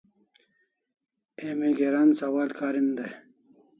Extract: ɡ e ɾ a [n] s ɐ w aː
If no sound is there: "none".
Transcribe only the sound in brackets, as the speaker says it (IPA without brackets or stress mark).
n